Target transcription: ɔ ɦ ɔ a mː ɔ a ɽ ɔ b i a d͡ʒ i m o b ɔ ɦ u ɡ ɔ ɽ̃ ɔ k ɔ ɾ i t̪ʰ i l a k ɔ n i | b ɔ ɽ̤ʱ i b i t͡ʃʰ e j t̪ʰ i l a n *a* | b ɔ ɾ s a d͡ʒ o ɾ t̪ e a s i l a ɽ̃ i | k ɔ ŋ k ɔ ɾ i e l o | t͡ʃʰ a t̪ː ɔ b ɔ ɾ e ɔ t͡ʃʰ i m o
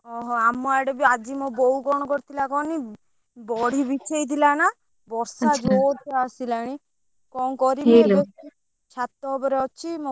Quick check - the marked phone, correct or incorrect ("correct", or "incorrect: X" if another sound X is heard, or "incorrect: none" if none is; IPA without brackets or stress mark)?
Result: correct